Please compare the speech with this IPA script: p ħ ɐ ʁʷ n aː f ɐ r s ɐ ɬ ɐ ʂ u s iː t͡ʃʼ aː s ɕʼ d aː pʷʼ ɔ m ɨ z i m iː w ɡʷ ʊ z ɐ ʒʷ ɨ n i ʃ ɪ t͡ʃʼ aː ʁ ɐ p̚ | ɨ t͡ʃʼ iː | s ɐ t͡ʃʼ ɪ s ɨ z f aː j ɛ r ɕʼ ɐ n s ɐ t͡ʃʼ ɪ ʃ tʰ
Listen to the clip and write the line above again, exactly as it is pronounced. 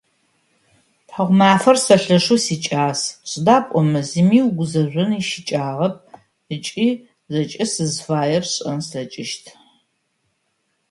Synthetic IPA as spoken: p ħ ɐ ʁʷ m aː f ɐ r s ɐ ɬ ɐ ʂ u s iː t͡ʃʼ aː s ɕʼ d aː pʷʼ ɔ m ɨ z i m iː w ɡʷ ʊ z ɐ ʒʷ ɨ n i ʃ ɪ t͡ʃʼ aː ʁ ɐ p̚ | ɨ t͡ʃʼ iː | z ɐ t͡ʃʼ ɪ s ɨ z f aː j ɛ r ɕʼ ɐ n s ɐ t͡ʃʼ ɪ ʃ tʰ